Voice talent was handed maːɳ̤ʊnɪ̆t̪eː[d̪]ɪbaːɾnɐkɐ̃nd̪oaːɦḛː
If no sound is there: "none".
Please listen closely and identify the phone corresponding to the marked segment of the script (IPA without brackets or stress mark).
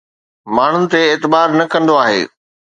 t̪